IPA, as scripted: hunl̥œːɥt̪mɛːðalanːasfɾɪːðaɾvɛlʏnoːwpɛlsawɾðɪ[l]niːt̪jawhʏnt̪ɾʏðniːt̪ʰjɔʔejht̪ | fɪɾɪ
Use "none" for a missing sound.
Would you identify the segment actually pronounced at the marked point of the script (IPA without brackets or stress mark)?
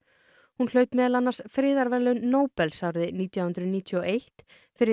none